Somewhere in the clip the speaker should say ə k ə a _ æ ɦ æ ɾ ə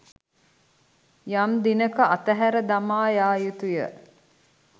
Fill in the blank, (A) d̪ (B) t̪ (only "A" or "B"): B